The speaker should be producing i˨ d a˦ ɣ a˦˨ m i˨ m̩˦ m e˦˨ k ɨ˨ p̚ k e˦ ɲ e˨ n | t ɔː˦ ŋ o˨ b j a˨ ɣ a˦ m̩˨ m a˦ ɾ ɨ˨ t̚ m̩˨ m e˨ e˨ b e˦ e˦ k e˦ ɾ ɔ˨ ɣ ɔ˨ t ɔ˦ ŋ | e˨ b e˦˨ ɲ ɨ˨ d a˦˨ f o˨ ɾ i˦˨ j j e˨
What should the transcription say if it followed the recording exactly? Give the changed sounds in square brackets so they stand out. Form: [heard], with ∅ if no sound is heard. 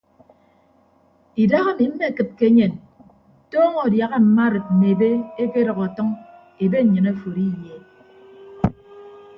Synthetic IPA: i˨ d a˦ ɣ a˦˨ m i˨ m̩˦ m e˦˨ k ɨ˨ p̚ k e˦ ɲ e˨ n | t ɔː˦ ŋ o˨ [d] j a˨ ɣ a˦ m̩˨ m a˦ ɾ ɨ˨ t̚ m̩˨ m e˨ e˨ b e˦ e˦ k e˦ ɾ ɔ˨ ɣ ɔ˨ t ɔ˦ ŋ | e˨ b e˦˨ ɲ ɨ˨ [n] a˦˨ f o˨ ɾ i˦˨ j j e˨